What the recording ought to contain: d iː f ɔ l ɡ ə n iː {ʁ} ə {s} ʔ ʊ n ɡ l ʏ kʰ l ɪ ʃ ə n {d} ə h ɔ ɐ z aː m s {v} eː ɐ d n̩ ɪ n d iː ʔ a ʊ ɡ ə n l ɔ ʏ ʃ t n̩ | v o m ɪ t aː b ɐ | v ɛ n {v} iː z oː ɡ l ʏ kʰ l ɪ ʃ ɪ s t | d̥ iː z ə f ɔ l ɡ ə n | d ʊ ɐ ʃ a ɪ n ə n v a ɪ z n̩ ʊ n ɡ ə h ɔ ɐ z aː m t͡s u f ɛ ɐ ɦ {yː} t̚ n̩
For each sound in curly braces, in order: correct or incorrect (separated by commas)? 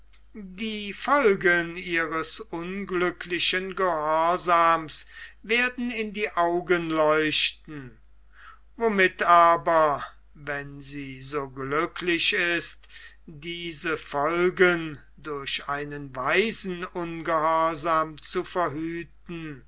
correct, correct, incorrect, correct, incorrect, correct